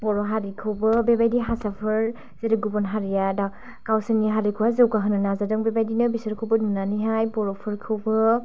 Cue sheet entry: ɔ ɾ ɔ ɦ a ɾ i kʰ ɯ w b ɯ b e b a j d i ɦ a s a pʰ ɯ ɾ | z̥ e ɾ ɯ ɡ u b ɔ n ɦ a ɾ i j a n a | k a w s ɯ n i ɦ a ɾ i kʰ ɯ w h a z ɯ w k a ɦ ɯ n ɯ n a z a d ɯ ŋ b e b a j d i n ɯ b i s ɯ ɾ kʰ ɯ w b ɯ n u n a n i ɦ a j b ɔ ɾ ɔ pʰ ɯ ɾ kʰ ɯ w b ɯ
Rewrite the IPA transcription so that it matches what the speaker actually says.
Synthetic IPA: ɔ ɾ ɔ ɦ a ɾ i kʰ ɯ w b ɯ b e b a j d i ɦ a s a pʰ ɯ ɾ | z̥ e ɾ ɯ ɡ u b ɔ n ɦ a ɾ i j a d a | k a w s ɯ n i ɦ a ɾ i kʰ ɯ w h a z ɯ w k a ɦ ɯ n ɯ n a z a d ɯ ŋ b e b a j d i n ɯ b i s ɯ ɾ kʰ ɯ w b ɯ n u n a n i ɦ a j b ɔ ɾ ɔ pʰ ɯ ɾ kʰ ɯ w b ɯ